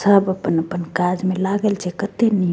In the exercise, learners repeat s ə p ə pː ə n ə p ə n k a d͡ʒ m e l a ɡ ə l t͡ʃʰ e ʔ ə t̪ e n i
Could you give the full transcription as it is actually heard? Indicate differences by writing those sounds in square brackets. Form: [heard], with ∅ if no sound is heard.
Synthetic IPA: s ə [b] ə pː ə n ə p ə n k a d͡ʒ m e l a ɡ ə l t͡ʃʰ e [k] ə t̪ e n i